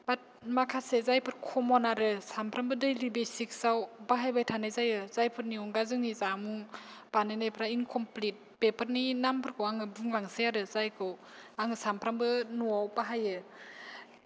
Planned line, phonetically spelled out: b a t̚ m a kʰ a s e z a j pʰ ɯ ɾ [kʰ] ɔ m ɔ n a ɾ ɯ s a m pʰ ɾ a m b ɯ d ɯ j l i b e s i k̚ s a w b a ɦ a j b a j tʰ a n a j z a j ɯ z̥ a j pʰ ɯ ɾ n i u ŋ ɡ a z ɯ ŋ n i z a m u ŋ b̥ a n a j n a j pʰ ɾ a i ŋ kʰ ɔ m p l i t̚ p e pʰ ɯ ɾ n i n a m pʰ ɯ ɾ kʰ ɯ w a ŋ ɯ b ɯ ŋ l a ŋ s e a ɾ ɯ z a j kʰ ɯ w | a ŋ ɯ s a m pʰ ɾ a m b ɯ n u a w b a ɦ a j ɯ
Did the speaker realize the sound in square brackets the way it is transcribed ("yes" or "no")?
yes